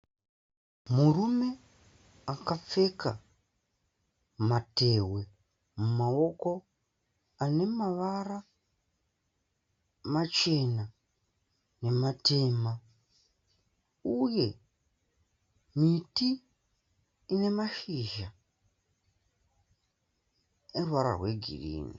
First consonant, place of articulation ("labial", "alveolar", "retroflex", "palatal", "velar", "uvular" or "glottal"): labial